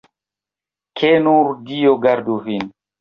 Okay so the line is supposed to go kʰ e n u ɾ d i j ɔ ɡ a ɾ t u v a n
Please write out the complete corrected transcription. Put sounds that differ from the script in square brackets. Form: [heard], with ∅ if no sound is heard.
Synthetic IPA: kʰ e n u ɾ d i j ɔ ɡ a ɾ [d] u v [i] n